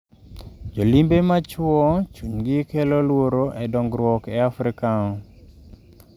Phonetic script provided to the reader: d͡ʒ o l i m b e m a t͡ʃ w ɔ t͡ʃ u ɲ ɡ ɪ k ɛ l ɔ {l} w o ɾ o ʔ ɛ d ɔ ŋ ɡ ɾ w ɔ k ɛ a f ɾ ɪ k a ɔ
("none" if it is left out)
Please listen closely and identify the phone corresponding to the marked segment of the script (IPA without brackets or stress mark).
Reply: l